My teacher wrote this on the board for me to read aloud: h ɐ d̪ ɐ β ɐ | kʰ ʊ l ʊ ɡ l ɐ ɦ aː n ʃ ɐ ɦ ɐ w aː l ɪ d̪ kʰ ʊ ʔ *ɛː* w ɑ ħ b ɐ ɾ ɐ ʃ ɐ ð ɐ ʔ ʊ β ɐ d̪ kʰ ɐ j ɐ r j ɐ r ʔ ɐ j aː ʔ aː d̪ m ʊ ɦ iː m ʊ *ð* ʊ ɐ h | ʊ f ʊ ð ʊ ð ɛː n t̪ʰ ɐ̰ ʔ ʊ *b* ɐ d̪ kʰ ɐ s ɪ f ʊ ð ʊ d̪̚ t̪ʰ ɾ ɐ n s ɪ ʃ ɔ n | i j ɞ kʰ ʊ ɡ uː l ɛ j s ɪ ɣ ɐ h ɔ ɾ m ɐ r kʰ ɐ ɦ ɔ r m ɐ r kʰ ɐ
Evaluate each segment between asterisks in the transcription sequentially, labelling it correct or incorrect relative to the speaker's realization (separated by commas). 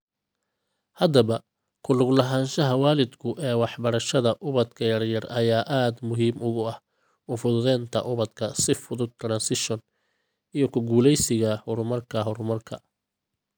correct, incorrect, incorrect